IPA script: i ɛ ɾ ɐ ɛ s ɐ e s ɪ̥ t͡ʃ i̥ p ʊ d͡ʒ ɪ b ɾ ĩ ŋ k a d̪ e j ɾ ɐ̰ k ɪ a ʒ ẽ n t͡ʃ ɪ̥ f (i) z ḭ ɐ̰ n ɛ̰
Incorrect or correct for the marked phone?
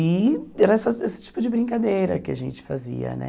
incorrect: a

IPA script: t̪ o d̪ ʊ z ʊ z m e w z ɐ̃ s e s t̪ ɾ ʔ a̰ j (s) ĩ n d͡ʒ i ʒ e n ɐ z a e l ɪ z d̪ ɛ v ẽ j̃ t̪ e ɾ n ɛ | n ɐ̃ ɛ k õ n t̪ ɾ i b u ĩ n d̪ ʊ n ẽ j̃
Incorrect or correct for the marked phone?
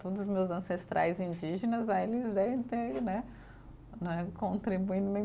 incorrect: z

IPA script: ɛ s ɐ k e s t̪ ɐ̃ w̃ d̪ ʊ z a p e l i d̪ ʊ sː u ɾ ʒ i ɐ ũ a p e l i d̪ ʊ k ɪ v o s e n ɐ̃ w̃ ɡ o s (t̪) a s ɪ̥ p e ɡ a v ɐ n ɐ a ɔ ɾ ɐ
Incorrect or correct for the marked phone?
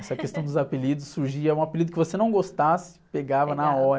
correct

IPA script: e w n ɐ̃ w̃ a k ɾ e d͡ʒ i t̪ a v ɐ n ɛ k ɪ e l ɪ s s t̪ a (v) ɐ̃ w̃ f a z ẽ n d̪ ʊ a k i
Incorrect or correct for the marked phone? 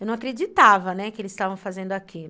correct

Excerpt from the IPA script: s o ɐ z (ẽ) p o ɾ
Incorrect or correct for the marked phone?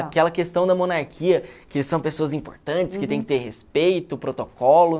incorrect: ĩ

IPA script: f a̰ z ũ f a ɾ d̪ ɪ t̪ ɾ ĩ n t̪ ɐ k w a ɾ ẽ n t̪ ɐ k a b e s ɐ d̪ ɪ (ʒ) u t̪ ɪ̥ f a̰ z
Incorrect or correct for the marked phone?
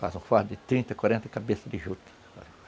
correct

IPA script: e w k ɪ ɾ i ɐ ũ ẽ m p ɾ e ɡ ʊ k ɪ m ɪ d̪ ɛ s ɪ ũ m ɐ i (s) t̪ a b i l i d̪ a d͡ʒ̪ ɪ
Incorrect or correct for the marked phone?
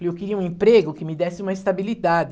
correct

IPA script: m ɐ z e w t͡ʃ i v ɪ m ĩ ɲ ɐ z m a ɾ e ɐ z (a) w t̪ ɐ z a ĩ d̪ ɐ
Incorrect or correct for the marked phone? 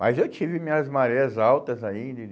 correct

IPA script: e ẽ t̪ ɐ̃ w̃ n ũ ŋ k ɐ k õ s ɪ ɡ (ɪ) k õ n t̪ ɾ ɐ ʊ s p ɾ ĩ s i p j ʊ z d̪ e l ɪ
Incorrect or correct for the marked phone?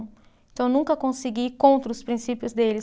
incorrect: i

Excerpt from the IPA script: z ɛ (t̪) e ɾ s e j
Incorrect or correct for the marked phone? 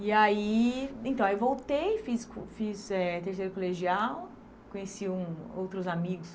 correct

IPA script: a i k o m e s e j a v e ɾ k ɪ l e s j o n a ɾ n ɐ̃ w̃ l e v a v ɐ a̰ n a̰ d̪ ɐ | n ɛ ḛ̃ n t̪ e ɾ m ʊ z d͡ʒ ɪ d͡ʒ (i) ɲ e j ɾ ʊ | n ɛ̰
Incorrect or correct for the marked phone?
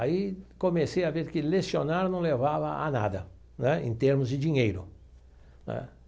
correct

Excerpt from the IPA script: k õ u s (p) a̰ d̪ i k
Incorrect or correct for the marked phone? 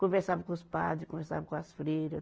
correct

